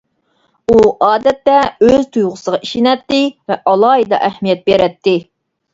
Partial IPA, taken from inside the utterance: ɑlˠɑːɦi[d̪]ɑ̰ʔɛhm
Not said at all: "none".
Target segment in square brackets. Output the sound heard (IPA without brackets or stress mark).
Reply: d̪